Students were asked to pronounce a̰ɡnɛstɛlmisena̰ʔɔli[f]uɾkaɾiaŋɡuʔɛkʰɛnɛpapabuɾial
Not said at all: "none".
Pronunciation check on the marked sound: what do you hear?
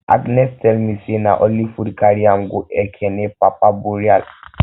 f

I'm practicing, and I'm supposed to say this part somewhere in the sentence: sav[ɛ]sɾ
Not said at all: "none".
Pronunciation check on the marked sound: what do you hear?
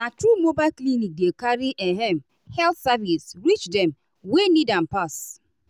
i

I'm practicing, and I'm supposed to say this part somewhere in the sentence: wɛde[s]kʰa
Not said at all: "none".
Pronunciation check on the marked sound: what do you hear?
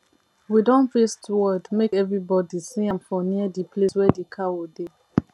none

